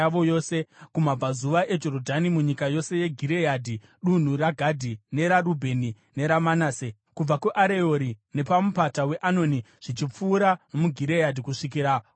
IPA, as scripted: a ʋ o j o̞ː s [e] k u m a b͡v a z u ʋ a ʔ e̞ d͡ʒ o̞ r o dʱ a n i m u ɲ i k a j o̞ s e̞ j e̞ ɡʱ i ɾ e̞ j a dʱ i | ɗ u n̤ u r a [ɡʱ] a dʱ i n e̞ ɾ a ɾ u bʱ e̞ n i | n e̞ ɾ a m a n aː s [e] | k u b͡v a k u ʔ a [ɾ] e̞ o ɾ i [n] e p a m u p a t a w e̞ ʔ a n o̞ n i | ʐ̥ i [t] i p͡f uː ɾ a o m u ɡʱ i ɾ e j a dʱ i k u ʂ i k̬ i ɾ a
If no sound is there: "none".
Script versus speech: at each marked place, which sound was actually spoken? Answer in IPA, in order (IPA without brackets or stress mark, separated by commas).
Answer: e, ɡʱ, e, ɾ, n, t͡ʃ